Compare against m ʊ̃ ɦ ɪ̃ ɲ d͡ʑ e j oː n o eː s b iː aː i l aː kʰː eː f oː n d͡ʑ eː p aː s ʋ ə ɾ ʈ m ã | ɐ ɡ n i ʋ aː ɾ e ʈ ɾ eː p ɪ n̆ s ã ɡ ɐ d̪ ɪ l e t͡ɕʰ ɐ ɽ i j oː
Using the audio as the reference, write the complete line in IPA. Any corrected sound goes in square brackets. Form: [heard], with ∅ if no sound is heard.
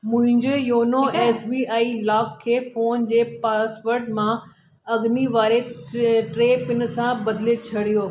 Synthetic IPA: m ʊ̃ ɦ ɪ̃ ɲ d͡ʑ e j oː n o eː s b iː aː i l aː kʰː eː f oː n d͡ʑ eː p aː s ʋ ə ɾ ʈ m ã | ɐ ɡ n i ʋ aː ɾ e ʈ ɾ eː p ɪ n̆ s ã [b] ɐ d̪ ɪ l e t͡ɕʰ ɐ ɽ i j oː

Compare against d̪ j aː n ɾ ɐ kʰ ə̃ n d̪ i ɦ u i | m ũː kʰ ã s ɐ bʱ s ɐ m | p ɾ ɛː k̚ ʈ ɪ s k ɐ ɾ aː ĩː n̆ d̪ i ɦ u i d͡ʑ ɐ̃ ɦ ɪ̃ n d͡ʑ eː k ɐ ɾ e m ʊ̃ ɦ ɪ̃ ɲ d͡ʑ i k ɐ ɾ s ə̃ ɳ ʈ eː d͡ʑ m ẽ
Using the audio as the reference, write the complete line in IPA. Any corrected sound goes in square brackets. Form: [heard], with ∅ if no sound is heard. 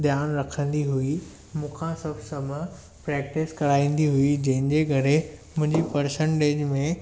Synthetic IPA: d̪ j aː n ɾ ɐ kʰ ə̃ n d̪ i ɦ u i | m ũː kʰ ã s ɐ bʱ s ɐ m | p ɾ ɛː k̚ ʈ ɪ s k ɐ ɾ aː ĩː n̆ d̪ i ɦ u i d͡ʑ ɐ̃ ɦ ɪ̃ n d͡ʑ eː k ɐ ɾ e m ʊ̃ ɦ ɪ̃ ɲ d͡ʑ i [p] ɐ ɾ s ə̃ ɳ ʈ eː d͡ʑ m ẽ

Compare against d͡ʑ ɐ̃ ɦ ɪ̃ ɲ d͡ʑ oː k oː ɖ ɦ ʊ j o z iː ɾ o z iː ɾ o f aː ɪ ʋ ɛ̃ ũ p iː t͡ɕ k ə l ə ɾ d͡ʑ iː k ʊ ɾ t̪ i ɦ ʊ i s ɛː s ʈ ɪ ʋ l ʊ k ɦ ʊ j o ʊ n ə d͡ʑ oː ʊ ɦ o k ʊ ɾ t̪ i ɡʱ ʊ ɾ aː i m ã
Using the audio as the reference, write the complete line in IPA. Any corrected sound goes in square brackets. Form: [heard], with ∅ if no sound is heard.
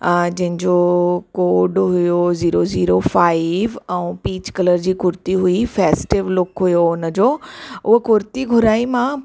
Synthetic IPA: d͡ʑ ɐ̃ ɦ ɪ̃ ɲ d͡ʑ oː k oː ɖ ɦ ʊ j o z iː ɾ o z iː ɾ o f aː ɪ ʋ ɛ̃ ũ p iː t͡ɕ k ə l ə ɾ d͡ʑ iː k ʊ ɾ t̪ i ɦ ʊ i [f] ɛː s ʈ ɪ ʋ l ʊ k ɦ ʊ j o ʊ n ə d͡ʑ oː ʊ ɦ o k ʊ ɾ t̪ i ɡʱ ʊ ɾ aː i m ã

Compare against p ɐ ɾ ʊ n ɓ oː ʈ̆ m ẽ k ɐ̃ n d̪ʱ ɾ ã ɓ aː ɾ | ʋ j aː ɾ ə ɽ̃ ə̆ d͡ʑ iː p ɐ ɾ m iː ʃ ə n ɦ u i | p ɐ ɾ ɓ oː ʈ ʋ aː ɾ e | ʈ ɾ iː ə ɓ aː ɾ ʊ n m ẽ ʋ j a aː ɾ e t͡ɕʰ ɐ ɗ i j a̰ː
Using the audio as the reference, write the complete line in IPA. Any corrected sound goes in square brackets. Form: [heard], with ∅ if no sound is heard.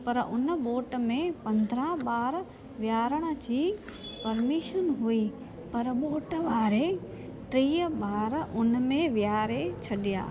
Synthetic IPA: p ɐ ɾ ʊ n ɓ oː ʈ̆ m ẽ [p] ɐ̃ n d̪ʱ ɾ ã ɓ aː ɾ | ʋ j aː ɾ ə ɽ̃ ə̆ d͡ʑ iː p ɐ ɾ m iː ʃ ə n ɦ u i | p ɐ ɾ ɓ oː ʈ ʋ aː ɾ e | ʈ ɾ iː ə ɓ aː ɾ ʊ n m ẽ ʋ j a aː ɾ e t͡ɕʰ ɐ ɗ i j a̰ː

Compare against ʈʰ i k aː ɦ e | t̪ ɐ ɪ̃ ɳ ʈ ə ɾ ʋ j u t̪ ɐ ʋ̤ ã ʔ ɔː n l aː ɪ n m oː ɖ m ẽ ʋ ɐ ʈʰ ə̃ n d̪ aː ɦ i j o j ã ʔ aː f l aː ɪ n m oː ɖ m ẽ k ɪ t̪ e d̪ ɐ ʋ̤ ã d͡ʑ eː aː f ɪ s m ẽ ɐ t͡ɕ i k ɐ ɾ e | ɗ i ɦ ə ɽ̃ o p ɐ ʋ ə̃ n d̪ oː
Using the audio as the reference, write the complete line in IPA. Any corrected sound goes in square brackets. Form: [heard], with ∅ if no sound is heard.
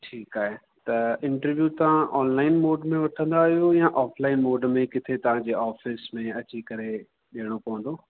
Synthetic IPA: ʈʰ [iː] k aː ɦ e | t̪ ɐ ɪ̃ ɳ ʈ ə ɾ ʋ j u t̪ ɐ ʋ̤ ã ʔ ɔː n l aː ɪ n m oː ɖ m ẽ ʋ ɐ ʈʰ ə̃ n d̪ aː ɦ i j o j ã ʔ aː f l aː ɪ n m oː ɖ m ẽ k ɪ [t̪ʰ] e [t̪] ɐ ʋ̤ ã d͡ʑ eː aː f ɪ s m ẽ ɐ t͡ɕ i k ɐ ɾ e | ɗ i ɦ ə ɽ̃ o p ɐ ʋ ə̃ n d̪ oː

